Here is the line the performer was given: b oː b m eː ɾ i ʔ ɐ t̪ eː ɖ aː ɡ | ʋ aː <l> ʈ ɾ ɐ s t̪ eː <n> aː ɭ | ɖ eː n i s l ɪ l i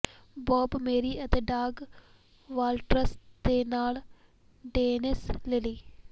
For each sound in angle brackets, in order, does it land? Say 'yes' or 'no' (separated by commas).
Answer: yes, yes